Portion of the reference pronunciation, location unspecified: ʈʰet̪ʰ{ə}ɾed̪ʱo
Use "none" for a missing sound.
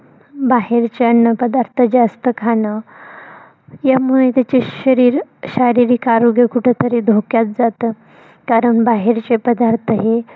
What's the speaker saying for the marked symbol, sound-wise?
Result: ə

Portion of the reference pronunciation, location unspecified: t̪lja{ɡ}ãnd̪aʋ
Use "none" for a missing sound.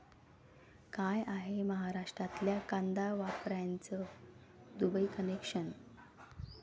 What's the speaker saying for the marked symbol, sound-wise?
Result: k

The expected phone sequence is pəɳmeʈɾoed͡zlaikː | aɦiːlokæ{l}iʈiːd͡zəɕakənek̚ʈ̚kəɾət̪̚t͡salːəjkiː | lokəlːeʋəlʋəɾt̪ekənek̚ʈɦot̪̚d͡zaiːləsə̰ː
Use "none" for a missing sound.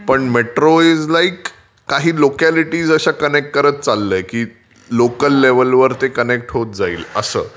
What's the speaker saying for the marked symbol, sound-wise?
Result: l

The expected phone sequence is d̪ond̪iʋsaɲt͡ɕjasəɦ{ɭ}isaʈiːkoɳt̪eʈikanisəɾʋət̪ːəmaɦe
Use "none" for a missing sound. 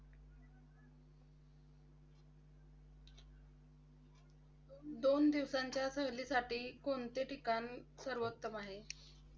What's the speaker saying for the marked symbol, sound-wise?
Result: l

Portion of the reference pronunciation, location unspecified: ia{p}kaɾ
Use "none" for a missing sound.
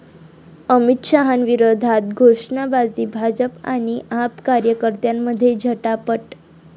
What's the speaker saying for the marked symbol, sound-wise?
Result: p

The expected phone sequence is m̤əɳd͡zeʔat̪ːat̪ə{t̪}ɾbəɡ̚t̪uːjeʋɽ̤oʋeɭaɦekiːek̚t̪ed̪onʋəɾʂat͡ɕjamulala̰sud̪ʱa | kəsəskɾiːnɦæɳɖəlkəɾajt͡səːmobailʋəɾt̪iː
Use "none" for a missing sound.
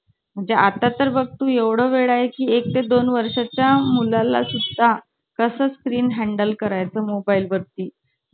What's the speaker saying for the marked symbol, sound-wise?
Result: none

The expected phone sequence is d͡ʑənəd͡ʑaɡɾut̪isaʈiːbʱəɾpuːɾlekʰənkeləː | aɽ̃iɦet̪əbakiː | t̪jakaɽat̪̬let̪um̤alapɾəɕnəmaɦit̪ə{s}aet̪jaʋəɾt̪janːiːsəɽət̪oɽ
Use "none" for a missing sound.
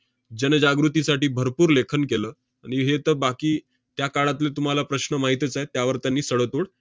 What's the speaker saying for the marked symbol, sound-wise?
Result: t͡s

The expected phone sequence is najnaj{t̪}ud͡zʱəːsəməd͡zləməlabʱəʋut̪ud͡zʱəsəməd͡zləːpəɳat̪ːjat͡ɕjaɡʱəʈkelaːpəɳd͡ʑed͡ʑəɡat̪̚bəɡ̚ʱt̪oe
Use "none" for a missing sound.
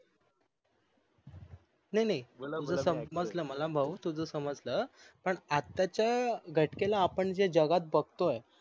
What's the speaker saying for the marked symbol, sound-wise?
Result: t̪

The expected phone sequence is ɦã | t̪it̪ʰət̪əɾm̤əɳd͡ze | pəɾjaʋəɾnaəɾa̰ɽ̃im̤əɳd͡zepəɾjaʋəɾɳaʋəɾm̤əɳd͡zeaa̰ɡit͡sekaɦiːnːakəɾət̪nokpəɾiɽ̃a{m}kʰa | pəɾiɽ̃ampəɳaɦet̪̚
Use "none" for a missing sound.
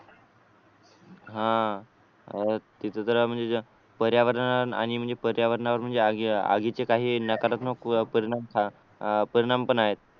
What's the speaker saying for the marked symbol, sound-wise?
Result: m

